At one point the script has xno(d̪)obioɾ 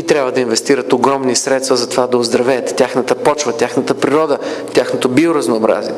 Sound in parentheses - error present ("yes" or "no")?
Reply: yes